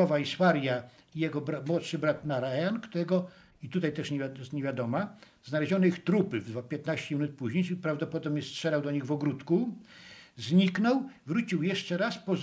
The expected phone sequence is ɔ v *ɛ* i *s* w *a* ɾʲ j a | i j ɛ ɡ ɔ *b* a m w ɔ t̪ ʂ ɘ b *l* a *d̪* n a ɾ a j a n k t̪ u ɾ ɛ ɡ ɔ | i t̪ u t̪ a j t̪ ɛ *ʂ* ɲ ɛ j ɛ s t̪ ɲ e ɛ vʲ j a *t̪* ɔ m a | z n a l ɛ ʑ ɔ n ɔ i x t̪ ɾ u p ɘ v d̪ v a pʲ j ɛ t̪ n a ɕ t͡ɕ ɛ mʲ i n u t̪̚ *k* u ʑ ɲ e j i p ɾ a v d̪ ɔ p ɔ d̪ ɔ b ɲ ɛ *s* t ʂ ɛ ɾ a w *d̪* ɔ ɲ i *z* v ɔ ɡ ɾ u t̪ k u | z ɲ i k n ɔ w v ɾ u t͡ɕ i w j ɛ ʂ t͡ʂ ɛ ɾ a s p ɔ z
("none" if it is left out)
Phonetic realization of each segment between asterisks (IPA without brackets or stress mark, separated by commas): a, s, a, b, ɾ, t̪, ʂ, d̪, p, s, d̪, ɣ